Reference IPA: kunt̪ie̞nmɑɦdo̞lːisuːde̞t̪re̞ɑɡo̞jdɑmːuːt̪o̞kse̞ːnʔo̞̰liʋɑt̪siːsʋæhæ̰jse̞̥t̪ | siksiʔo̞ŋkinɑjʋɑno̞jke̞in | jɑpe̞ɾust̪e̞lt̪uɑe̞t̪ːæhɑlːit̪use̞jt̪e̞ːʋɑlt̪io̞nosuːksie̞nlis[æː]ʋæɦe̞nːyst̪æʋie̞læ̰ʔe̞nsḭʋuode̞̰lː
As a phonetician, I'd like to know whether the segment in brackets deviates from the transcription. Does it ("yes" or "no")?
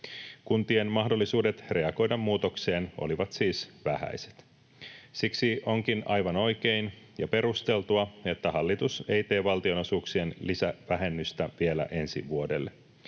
yes